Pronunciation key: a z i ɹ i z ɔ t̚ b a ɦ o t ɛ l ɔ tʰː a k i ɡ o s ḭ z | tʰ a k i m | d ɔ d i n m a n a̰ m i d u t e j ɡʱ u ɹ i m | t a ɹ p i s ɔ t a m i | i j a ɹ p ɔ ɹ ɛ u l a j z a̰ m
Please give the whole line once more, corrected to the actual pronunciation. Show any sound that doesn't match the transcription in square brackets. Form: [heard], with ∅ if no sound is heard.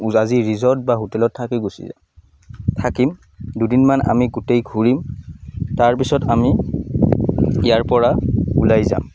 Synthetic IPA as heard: a z i ɹ i z ɔ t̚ b a ɦ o t ɛ l ɔ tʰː a k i ɡ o s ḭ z | tʰ a k i m | d [u] d i n m a n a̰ m i [ɡ] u t e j ɡʱ u ɹ i m | t a ɹ p i s ɔ t a m i | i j a ɹ p ɔ ɹ [a] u l a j z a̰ m